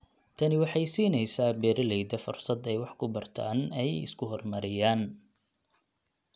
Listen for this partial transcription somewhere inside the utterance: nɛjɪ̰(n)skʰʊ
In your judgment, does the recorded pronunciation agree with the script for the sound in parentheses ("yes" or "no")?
no